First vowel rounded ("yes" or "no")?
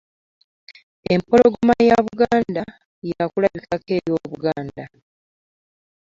no